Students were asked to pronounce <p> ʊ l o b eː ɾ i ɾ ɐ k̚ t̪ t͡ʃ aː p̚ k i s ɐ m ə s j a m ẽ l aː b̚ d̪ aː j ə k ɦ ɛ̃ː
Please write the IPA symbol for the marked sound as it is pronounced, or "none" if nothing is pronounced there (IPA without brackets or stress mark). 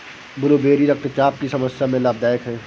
b